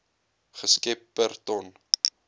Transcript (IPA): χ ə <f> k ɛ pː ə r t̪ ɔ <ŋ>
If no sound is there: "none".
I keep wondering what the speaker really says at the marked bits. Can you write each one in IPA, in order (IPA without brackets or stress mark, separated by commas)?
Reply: s, n